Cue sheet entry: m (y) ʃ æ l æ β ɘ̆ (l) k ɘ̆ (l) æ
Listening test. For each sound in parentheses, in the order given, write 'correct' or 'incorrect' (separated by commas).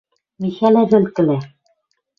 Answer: incorrect, correct, correct